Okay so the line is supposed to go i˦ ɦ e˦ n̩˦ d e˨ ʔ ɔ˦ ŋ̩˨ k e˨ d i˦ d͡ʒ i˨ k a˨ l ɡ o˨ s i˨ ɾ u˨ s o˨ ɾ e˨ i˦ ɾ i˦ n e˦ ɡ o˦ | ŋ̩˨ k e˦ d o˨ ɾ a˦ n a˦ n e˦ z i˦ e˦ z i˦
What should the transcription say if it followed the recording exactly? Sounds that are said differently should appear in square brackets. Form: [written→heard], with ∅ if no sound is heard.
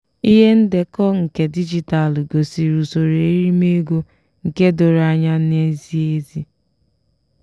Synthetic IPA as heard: i˦ ɦ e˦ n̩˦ d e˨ [ʔ→k] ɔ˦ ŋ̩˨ k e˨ d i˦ d͡ʒ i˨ [k→t] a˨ l ɡ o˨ s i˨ ɾ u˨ s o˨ ɾ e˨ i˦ ɾ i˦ [n→m] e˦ ɡ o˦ | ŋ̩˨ k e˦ d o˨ ɾ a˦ [n→ɲ] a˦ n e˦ z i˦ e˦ z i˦